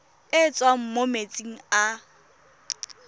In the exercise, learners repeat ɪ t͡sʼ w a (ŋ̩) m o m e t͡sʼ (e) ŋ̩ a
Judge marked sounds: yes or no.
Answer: no, no

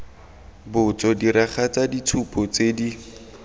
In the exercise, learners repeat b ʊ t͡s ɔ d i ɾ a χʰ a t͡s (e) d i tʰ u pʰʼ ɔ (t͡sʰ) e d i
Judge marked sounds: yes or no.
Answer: no, no

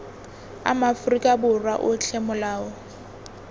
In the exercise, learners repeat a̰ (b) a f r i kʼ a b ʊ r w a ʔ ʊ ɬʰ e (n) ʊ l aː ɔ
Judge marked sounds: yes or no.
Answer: no, no

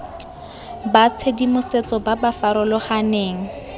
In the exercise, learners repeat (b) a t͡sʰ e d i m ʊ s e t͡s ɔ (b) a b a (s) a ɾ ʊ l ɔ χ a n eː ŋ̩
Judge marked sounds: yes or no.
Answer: yes, yes, no

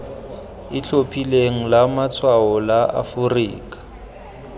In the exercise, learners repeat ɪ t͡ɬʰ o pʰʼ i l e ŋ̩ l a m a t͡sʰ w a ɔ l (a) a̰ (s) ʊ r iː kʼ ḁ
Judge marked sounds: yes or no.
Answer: yes, no

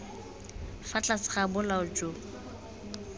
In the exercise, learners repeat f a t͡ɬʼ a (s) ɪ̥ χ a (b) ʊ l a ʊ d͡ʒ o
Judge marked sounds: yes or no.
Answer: yes, yes

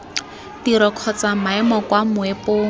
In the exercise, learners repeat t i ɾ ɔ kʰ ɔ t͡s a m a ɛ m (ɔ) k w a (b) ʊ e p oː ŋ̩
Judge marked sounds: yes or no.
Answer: yes, no

